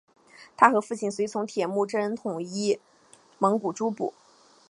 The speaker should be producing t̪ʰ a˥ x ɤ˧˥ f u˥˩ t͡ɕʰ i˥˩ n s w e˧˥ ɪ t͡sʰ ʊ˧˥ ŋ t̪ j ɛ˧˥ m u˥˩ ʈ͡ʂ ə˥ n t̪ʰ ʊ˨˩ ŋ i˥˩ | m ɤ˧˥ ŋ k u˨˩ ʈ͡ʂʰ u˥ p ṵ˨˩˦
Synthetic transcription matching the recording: t̪ʰ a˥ x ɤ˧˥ f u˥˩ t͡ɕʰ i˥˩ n s w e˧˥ ɪ t͡sʰ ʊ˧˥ ŋ t̪ʰ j ɛ˨˩ m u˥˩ ʈ͡ʂ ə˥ n t̪ʰ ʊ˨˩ ŋ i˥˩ | m ɤ˧˥ ŋ k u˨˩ ʈ͡ʂ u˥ p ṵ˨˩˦